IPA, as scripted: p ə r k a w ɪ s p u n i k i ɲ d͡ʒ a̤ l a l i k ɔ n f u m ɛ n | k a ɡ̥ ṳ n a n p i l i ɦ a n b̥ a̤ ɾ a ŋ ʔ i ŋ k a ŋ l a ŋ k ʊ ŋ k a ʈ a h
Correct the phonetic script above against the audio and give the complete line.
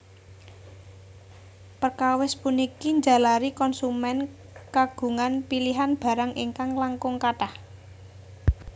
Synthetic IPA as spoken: p ə r k a w ɪ s p u n i k i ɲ d͡ʒ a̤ l a ɾ i k ɔ n s u m ɛ n | k a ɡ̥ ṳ ŋ a n p i l i ɦ a n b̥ a̤ ɾ a ŋ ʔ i ŋ k a ŋ l a ŋ k ʊ ŋ k a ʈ a h